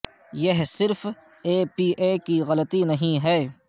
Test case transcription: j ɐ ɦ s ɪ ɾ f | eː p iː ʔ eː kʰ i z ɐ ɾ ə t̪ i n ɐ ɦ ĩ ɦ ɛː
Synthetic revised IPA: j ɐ ɦ s ɪ ɾ f | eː p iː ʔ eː k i ɣ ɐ l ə t̪ i n ɐ ɦ ĩ ɦ ɛː